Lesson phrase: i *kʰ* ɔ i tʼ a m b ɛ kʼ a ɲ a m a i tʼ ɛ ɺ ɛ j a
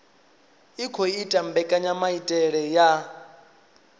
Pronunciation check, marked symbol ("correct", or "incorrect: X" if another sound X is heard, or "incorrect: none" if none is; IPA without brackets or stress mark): correct